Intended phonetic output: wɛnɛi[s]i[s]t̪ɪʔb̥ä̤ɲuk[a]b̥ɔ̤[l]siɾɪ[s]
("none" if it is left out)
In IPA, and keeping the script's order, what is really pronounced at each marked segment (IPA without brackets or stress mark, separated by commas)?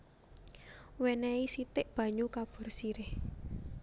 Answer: s, none, a, r, h